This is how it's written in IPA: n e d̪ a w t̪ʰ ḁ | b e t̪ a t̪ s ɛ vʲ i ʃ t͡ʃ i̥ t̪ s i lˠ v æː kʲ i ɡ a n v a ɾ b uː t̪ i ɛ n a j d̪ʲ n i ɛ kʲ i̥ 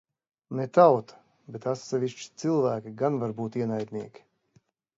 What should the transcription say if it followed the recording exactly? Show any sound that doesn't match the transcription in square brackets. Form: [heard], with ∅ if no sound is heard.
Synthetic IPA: n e [t̪] a w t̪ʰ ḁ | b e t̪ a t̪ s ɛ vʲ i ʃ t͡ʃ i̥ t̪ s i lˠ v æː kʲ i ɡ a n v a ɾ b uː t̪ i ɛ n a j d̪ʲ n i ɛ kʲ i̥